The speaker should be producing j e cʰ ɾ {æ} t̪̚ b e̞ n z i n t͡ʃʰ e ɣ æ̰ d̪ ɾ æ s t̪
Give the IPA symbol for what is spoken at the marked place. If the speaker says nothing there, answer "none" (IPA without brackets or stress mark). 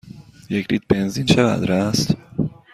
i